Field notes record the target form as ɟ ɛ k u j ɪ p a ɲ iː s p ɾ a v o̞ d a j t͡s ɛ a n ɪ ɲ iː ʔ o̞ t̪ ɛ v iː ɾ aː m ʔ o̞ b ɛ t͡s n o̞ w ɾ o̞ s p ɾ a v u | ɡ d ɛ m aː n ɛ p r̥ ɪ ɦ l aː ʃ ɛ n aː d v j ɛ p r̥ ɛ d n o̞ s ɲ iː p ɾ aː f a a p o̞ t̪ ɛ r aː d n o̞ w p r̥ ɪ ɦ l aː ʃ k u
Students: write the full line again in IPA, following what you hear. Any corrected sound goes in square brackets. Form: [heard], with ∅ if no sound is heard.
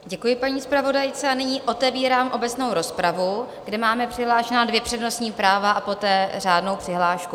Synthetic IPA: ɟ ɛ k u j ɪ p a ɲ iː s p ɾ a v o̞ d a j t͡s ɛ a n ɪ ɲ iː ʔ o̞ t̪ ɛ v iː ɾ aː m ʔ o̞ b ɛ t͡s n o̞ w ɾ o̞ s p ɾ a v u | ɡ d ɛ m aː [m] ɛ p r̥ ɪ ɦ l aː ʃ ɛ n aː d v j ɛ p r̥ ɛ d n o̞ s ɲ iː p ɾ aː [v] a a p o̞ t̪ [ɛː] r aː d n o̞ w p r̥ ɪ ɦ l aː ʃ k u